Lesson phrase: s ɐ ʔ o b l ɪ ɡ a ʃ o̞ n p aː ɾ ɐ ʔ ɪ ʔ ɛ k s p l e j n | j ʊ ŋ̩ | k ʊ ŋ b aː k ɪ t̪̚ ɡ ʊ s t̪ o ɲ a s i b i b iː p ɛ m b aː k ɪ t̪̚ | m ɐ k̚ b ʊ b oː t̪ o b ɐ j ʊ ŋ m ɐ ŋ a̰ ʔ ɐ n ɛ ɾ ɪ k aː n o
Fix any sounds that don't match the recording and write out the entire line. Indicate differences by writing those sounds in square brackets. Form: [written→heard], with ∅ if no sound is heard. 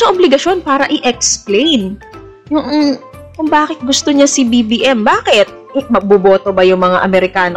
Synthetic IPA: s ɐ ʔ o b l ɪ ɡ [a→ɐ] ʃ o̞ n p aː ɾ ɐ ʔ ɪ ʔ ɛ k s p l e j n | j ʊ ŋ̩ | k ʊ ŋ b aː k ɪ t̪̚ ɡ ʊ s t̪ o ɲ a s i b i b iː [p→ʔ] ɛ m b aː k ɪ t̪̚ | m ɐ [k̚→ɡ̚] b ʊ b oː t̪ o b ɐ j ʊ ŋ m ɐ ŋ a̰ ʔ ɐ [n→m] ɛ ɾ ɪ k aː n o